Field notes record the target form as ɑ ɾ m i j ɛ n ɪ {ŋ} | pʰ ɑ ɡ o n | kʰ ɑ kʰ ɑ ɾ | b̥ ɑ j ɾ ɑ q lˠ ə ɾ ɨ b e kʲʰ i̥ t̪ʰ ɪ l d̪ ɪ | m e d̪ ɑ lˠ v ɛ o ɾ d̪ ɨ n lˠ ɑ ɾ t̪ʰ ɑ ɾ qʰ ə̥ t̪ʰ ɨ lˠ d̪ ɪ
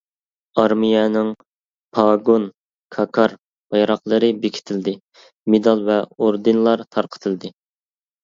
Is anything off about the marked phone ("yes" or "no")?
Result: no